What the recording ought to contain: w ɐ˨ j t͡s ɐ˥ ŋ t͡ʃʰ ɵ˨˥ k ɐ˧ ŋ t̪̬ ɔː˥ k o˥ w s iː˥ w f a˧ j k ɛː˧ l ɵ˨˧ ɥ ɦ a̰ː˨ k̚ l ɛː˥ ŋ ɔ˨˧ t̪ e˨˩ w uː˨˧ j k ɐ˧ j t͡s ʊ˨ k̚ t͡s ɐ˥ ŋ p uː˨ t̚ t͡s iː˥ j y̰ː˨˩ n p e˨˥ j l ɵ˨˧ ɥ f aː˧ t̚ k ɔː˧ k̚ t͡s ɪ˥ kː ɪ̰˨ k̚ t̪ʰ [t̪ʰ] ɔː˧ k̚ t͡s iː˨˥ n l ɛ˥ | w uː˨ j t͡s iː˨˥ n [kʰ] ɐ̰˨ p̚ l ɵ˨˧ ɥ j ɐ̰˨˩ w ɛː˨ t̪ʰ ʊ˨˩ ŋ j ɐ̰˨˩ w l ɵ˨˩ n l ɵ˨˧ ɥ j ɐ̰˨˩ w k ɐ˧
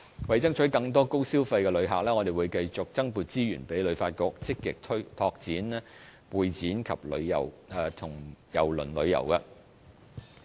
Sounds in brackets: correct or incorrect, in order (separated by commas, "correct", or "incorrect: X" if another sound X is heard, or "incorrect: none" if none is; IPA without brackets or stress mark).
correct, correct